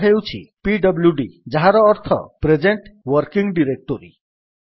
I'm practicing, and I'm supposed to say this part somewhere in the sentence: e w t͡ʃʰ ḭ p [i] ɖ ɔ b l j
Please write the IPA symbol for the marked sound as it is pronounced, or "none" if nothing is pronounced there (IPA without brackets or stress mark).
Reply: i